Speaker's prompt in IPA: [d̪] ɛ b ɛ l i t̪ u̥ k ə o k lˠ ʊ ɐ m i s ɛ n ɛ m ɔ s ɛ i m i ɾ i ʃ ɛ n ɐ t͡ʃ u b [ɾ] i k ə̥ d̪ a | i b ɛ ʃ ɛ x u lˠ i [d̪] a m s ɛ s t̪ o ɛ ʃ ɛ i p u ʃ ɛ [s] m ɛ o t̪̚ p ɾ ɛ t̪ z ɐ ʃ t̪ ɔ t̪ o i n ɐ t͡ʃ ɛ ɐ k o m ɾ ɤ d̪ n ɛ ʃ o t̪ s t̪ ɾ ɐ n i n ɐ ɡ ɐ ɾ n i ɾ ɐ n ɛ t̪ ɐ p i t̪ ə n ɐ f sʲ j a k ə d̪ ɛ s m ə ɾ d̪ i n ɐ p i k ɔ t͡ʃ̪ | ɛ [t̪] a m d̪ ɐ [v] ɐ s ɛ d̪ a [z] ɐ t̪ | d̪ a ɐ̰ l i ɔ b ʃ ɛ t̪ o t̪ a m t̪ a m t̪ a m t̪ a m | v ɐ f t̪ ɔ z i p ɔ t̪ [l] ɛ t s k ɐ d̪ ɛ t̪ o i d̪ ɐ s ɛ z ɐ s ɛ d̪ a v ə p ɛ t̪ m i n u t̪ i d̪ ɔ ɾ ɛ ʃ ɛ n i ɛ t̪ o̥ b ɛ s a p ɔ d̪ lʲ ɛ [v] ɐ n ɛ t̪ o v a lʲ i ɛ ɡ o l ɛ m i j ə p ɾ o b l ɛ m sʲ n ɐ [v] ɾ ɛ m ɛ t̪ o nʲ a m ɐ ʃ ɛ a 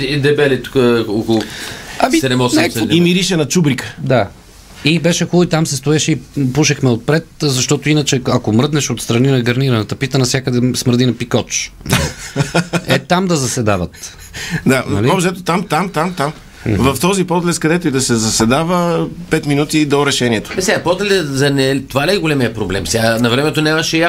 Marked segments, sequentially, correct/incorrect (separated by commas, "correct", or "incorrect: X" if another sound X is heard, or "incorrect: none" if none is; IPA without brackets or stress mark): correct, correct, incorrect: t̪, incorrect: x, correct, incorrect: z, incorrect: v, correct, incorrect: z, correct